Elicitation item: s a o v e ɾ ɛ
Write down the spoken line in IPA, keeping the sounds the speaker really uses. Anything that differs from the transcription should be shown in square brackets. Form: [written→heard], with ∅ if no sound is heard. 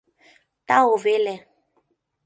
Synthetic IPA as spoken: [s→t] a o v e [ɾ→l] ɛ